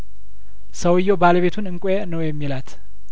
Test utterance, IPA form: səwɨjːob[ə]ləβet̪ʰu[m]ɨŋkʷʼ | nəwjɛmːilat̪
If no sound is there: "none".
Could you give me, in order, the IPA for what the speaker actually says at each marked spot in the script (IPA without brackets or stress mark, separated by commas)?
a, n